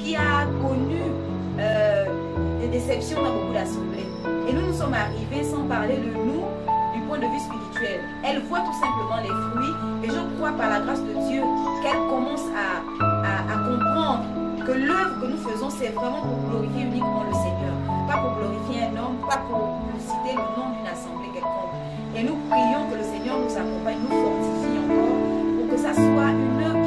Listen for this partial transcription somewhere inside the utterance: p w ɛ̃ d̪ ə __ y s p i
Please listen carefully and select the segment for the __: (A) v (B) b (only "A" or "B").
A